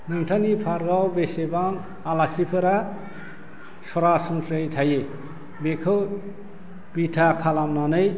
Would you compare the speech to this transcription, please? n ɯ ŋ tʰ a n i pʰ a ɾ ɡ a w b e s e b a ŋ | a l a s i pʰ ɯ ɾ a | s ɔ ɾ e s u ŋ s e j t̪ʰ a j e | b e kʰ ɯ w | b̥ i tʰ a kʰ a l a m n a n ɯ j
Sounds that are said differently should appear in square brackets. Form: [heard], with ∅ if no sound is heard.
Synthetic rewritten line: n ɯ ŋ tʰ a n i pʰ a ɾ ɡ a w b e s e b a ŋ | a l a s i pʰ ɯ ɾ a | s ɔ ɾ [a] s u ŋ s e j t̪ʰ a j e | b e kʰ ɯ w | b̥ i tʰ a kʰ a l a m n a n ɯ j